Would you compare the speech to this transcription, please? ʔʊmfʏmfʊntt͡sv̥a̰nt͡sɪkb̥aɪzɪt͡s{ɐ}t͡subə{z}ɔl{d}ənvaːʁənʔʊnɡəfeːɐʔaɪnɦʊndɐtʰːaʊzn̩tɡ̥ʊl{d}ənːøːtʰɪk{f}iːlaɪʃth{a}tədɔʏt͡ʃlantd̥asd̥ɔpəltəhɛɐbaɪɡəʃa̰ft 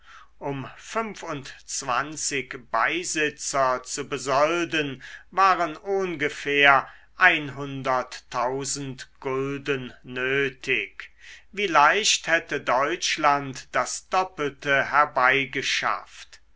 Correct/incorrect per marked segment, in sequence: correct, correct, correct, correct, incorrect: v, incorrect: ɛ

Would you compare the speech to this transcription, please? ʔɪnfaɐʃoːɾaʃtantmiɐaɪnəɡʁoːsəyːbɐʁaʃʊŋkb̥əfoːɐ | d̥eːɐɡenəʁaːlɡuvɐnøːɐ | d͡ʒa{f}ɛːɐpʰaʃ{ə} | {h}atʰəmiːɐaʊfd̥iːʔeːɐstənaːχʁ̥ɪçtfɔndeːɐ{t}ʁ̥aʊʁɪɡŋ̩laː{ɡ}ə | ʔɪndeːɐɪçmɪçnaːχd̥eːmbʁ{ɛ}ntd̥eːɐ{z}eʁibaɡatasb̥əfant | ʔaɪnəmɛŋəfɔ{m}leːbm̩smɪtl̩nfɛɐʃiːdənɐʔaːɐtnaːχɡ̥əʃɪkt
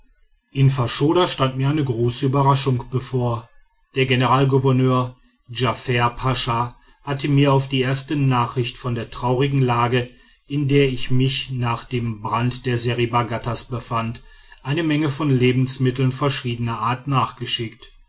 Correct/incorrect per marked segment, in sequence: correct, incorrect: a, correct, correct, correct, incorrect: a, correct, incorrect: n

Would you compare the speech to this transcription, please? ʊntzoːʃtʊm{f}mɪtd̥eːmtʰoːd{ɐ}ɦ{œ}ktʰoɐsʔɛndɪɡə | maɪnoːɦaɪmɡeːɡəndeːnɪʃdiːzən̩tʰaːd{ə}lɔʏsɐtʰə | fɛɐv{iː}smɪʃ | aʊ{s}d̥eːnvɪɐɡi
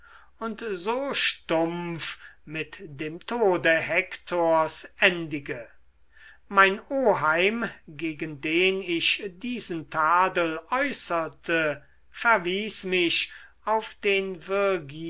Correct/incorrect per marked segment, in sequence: correct, incorrect: ə, incorrect: ɛ, correct, correct, incorrect: f

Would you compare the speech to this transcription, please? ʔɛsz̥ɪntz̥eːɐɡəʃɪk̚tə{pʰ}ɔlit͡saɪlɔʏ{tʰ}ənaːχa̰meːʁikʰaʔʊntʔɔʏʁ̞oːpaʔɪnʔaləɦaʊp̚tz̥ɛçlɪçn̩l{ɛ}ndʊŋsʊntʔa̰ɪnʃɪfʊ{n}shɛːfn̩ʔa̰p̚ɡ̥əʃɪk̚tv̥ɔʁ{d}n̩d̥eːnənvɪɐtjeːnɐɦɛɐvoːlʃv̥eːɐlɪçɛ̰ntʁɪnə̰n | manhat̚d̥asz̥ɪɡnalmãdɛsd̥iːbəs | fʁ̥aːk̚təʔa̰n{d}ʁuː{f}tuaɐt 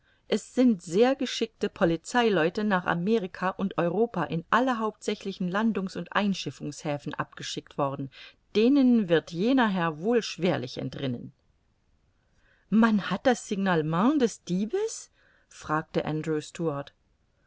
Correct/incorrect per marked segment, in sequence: correct, incorrect: t, incorrect: a, incorrect: ŋ, correct, correct, incorrect: s

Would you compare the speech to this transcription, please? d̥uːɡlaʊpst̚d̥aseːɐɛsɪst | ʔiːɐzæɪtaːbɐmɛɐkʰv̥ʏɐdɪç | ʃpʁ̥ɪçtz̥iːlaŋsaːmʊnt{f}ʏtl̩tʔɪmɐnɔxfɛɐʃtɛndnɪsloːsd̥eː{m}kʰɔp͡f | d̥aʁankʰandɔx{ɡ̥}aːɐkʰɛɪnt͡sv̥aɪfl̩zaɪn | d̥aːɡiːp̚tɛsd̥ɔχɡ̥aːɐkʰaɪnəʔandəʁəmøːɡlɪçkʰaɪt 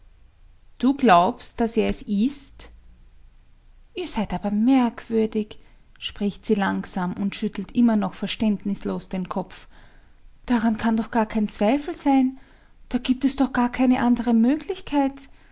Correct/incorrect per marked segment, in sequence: incorrect: ʃ, incorrect: n, correct

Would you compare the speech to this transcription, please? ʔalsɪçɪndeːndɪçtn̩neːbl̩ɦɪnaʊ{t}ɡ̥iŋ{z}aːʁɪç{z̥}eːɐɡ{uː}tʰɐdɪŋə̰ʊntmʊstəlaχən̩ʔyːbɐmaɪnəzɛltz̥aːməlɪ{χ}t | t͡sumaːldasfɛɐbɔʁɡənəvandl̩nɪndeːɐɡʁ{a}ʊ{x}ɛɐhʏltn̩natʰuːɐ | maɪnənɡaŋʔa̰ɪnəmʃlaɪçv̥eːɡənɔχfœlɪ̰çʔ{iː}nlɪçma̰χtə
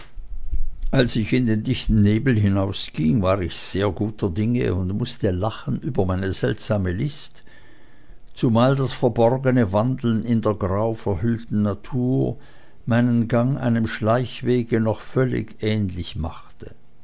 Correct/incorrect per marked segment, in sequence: incorrect: s, incorrect: v, correct, correct, incorrect: s, correct, incorrect: f, incorrect: ɛː

